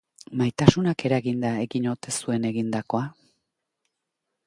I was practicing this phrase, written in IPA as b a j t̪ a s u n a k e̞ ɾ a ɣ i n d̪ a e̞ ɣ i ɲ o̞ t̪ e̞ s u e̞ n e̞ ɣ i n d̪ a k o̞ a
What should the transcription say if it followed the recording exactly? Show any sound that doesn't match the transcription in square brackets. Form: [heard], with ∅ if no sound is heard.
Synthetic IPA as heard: [m] a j t̪ a s u n a k e̞ ɾ a ɣ i n d̪ a e̞ ɣ i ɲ o̞ t̪ e̞ s u e̞ n e̞ ɣ i n d̪ a k o̞ a